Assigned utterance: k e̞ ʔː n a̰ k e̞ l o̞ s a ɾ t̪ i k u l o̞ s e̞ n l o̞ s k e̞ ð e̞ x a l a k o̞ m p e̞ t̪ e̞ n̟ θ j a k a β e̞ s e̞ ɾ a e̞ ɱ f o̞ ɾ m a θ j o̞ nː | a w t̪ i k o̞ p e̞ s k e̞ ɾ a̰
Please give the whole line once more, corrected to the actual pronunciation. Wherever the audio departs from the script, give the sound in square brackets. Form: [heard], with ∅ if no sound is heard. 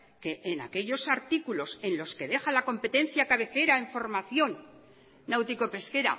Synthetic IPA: k e̞ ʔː n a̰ k e̞ [ʎ] o̞ s a ɾ t̪ i k u l o̞ s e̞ n l o̞ s k e̞ ð e̞ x a l a k o̞ m p e̞ t̪ e̞ n̟ θ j a k a β e̞ [θ] e̞ ɾ a e̞ ɱ f o̞ ɾ m a θ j o̞ nː | a w t̪ i k o̞ p e̞ s k e̞ ɾ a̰